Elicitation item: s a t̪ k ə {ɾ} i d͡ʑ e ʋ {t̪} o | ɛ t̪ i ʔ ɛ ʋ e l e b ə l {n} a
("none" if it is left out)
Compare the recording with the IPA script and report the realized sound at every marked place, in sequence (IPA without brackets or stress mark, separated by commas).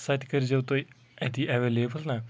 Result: ɾ, t̪, n